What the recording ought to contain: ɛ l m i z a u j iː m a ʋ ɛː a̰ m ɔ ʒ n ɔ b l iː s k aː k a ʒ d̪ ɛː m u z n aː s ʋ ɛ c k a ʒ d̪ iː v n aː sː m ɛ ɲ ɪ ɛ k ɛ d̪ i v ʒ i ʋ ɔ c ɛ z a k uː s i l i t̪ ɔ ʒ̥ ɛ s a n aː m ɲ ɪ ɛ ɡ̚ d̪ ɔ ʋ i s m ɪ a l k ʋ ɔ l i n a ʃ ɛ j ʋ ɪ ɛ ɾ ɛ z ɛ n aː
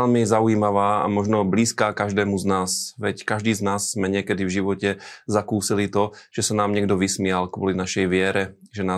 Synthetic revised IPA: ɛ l m i z a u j iː m a ʋ aː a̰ m ɔ ʒ n ɔ b l iː s k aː k a ʒ d̪ ɛː m u z n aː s ʋ ɛ c k a ʒ d̪ iː z n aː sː m ɛ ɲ ɪ ɛ k ɛ d̪ i v ʒ i ʋ ɔ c ɛ z a k uː s i l i t̪ ɔ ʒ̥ ɛ s a n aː m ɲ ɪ ɛ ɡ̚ d̪ ɔ ʋ i s m ɪ a l k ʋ ɔ l i n a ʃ ɛ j ʋ ɪ ɛ ɾ ɛ ʒ ɛ n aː